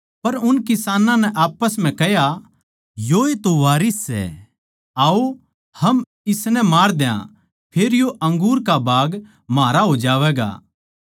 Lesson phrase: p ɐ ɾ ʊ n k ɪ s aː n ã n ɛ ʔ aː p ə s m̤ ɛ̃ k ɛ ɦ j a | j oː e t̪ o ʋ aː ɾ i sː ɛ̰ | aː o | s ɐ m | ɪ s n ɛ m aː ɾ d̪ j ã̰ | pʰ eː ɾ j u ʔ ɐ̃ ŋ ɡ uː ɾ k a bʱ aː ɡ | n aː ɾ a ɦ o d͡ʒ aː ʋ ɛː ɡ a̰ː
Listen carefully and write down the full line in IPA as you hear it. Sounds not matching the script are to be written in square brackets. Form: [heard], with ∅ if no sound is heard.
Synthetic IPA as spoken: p ɐ ɾ ʊ n k ɪ s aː n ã n ɛ ʔ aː p ə s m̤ ɛ̃ k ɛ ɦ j a | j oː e t̪ o ʋ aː ɾ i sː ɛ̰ | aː o | [h] ɐ m | ɪ s n ɛ m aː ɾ d̪ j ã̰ | pʰ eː ɾ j [o] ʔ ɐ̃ ŋ ɡ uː ɾ k a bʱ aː ɡ | [m] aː ɾ a ɦ o d͡ʒ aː ʋ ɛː ɡ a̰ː